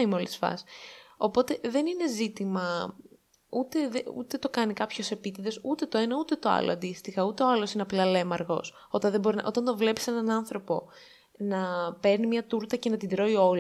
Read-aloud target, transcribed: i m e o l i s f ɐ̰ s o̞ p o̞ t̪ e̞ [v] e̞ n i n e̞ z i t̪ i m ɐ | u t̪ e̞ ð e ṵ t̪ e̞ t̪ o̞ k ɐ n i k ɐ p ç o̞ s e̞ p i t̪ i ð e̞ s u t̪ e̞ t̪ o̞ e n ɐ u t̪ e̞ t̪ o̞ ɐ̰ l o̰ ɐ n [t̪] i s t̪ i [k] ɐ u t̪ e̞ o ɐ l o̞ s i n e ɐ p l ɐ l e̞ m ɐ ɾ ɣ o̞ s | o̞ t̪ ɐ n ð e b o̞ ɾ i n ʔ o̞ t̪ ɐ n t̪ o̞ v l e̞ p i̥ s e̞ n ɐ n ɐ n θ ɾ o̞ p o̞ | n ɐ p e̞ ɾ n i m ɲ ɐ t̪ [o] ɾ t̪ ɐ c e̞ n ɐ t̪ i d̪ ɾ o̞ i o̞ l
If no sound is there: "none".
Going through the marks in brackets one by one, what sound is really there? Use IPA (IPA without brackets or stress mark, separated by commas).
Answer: ð, d̪, x, u